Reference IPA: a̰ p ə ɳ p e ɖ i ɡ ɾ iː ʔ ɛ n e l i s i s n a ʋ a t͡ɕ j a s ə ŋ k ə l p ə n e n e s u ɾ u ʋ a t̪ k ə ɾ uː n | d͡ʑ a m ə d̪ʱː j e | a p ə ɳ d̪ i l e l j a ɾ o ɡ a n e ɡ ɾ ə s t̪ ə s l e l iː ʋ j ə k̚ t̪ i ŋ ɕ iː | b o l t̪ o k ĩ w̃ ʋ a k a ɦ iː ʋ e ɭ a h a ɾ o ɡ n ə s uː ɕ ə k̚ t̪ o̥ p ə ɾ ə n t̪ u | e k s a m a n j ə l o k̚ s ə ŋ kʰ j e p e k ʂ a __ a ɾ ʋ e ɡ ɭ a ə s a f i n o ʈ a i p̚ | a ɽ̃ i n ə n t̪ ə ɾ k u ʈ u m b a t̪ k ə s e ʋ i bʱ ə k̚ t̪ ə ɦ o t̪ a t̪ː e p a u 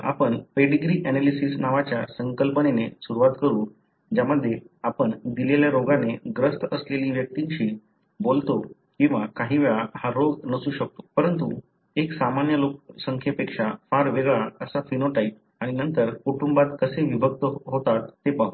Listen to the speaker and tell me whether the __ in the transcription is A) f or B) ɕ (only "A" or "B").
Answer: A